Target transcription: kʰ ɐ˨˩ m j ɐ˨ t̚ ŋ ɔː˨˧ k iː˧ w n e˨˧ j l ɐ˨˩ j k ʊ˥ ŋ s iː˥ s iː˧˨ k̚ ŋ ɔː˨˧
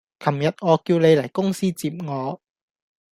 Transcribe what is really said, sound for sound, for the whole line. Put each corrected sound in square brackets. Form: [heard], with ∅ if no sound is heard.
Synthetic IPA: kʰ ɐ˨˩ m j ɐ˨ t̚ ŋ ɔː˨˧ k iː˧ w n e˨˧ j l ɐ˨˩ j k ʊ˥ ŋ s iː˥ [t͡s] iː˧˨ [p̚] ŋ ɔː˨˧